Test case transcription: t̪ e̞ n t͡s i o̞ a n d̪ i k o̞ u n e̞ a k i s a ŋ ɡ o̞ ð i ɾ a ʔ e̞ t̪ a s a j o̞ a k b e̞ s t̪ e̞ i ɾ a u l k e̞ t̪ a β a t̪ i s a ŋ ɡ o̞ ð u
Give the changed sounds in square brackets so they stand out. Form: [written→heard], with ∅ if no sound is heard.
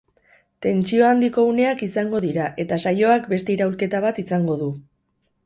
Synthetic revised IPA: t̪ e̞ n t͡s i o̞ a n d̪ i k o̞ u n e̞ a k i s a ŋ ɡ o̞ ð i ɾ a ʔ e̞ t̪ a s a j o̞ a k b e̞ s t̪ e̞ i ɾ a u l k e̞ t̪ a β a t̪ i s a ŋ ɡ o̞ ð u